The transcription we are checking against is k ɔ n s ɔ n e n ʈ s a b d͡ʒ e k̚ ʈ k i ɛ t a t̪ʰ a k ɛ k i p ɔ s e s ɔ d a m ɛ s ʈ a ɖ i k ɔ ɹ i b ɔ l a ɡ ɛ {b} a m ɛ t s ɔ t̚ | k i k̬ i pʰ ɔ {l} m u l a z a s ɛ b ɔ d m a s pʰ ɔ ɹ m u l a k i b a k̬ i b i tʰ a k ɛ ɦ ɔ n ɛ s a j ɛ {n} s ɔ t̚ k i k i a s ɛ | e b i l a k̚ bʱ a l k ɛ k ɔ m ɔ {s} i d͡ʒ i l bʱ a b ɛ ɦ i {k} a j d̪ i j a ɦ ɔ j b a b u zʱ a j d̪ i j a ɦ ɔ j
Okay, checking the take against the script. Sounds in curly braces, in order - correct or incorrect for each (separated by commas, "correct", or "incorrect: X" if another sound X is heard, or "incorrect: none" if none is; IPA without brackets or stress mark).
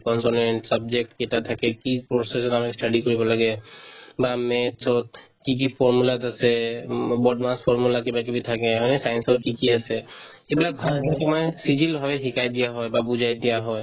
correct, incorrect: ɹ, correct, correct, correct